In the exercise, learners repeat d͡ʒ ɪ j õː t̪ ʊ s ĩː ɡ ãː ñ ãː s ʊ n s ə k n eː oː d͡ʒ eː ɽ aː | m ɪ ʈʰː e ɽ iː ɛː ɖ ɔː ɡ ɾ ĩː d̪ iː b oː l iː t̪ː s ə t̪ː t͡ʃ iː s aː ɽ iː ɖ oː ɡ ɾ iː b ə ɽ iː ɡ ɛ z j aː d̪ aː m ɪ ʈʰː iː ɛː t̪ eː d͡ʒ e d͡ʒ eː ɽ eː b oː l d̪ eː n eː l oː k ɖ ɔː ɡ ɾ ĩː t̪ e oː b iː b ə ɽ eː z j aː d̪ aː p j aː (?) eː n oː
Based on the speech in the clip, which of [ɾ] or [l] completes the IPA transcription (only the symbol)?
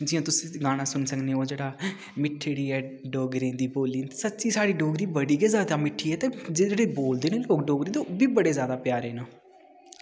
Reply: ɾ